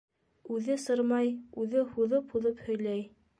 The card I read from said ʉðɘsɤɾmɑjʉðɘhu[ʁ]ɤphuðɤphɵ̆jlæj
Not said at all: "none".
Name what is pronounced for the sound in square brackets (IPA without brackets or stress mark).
ð